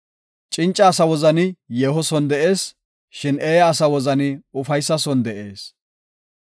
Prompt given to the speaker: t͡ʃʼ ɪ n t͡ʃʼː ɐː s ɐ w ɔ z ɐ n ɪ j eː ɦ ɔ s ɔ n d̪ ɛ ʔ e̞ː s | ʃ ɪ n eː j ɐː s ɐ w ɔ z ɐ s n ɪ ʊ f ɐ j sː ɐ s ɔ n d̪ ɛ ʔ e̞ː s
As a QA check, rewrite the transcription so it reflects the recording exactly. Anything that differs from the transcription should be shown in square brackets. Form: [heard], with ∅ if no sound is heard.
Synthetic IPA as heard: t͡ʃʼ ɪ n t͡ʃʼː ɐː s ɐ w ɔ z ɐ n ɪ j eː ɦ ɔ s ɔ n d̪ ɛ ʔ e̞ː s | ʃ ɪ n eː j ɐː s ɐ w ɔ z ɐ [∅] n ɪ ʊ f ɐ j sː ɐ s ɔ n d̪ ɛ ʔ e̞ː s